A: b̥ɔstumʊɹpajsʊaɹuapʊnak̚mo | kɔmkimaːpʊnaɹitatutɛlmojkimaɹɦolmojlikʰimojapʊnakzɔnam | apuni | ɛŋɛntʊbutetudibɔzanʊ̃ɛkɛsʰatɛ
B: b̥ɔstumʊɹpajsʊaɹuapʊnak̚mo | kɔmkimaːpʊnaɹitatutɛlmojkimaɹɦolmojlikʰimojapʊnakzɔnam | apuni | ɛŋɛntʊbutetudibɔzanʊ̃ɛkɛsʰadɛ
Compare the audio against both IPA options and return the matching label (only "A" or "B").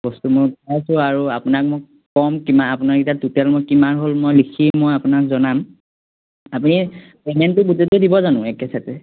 A